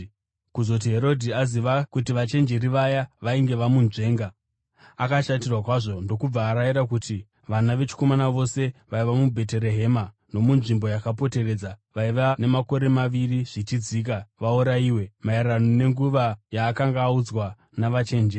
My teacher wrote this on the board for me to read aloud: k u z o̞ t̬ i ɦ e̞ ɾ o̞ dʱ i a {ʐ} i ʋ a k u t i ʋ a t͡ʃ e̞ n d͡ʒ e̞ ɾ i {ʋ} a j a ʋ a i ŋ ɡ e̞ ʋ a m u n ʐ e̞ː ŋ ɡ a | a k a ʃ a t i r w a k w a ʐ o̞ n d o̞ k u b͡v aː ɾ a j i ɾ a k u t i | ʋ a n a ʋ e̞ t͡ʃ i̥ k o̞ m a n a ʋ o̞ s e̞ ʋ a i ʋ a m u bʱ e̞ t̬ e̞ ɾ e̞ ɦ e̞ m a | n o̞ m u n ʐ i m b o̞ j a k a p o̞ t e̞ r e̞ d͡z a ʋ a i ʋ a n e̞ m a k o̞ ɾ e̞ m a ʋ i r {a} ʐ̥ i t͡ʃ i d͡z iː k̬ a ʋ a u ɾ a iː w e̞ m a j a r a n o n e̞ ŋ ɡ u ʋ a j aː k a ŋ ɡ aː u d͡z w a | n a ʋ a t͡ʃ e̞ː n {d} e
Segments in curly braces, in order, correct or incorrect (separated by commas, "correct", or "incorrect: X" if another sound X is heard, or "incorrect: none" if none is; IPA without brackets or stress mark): incorrect: z, correct, incorrect: i, incorrect: d͡ʒ